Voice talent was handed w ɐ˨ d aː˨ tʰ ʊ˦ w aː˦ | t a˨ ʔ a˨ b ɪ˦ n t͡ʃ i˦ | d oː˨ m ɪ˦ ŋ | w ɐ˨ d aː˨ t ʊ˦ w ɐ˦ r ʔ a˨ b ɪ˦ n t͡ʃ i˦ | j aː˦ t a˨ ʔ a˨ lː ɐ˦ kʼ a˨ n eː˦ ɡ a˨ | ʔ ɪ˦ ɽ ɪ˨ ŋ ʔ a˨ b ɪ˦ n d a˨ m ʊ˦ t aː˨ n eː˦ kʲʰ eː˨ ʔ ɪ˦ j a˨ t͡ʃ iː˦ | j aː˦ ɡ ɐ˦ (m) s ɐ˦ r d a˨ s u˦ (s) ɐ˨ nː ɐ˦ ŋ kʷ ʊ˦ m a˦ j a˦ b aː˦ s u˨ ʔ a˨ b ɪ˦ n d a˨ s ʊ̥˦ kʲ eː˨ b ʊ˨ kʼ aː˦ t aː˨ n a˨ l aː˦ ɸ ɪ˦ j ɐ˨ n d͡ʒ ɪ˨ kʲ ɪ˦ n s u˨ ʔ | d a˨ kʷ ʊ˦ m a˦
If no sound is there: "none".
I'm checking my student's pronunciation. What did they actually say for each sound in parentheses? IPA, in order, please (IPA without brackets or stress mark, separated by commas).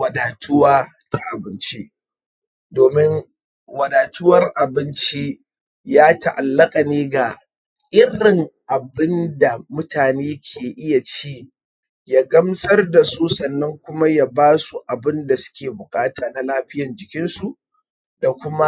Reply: m, s